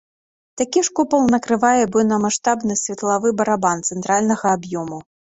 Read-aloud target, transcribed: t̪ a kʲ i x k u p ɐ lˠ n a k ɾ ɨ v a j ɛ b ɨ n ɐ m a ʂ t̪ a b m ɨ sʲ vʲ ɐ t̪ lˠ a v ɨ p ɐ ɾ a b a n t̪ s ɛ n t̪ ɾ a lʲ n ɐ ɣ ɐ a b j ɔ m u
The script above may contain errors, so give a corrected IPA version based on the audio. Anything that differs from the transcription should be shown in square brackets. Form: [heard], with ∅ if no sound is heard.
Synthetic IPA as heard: t̪ a kʲ i [ʂ] k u p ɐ lˠ n [ɐ] k ɾ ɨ v a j ɛ b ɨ n ɐ m a ʂ t̪ a b [n] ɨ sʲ vʲ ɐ t̪ lˠ a v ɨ [b] ɐ ɾ a b a n t̪ s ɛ n t̪ ɾ a lʲ n ɐ ɣ ɐ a b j ɔ m u